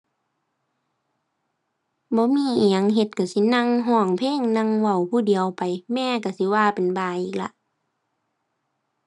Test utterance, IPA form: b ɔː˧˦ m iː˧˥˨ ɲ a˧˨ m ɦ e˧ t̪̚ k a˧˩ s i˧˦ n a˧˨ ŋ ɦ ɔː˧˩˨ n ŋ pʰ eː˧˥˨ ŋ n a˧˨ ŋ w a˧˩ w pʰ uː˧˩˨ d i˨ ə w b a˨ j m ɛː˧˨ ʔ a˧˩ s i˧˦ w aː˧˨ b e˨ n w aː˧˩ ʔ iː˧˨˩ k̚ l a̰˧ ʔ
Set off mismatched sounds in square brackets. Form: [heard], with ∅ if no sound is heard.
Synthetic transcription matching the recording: b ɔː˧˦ m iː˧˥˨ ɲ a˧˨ [ŋ] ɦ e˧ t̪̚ k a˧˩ s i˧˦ n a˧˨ ŋ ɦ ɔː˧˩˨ [∅] ŋ pʰ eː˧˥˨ ŋ n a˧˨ ŋ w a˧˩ w pʰ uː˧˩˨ d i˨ ə w [p] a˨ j m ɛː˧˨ [k] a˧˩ s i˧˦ w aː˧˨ [p] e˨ n [b] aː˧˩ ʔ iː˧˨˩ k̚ l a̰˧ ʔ